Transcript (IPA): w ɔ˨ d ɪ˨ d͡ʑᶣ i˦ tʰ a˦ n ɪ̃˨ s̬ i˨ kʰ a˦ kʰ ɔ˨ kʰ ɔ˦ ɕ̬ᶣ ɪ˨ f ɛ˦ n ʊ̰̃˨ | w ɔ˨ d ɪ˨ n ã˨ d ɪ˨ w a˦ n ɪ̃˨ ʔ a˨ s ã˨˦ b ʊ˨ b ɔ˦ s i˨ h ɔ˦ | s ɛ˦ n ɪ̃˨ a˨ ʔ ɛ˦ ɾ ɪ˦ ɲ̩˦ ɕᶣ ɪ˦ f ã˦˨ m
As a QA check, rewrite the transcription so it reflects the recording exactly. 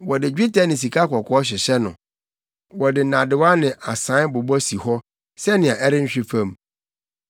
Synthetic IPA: w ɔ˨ d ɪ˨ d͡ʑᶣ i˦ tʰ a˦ n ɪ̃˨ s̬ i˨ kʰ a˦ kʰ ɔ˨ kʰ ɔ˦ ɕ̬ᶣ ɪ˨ ɕ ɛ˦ n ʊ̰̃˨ | w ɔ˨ d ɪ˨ n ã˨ d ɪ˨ w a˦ n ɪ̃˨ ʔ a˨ s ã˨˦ b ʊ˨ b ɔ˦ s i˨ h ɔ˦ | s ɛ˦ n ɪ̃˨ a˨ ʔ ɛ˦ ɾ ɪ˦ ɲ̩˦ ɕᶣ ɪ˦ f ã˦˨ m